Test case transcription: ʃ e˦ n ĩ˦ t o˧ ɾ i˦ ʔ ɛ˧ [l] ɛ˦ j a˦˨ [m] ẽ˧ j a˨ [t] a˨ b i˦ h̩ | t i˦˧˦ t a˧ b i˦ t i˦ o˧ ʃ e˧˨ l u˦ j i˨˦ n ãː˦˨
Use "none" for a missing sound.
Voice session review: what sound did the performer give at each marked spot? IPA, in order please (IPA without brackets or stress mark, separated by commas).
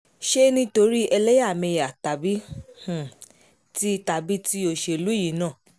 l, m, t